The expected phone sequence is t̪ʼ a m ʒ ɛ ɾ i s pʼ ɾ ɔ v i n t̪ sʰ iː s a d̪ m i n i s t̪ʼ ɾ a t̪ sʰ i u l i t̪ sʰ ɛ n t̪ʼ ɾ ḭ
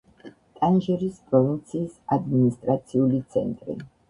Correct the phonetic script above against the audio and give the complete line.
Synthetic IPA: t̪ʼ a n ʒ ɛ ɾ i s pʼ ɾ ɔ v i n t̪ sʰ iː s a d̪ m i n i s t̪ʼ ɾ a t̪ sʰ i u l i t̪ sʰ ɛ n t̪ʼ ɾ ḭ